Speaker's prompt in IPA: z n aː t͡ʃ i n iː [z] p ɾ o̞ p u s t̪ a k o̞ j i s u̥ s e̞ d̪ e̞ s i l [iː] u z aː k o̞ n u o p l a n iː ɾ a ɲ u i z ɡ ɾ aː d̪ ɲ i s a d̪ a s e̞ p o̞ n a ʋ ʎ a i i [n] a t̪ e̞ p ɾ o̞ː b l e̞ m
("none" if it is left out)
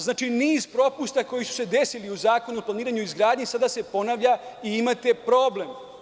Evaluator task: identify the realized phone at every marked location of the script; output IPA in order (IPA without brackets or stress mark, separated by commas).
z, i, m